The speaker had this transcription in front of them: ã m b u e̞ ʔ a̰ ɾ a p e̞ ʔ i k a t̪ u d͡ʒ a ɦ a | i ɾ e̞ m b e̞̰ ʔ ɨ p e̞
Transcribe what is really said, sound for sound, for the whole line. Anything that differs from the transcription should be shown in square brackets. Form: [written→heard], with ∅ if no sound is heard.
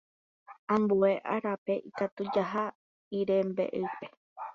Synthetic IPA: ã m b u e̞ ʔ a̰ ɾ a p e̞ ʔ i k a t̪ u d͡ʒ a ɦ a | i ɾ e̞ m b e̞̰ ʔ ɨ p e̞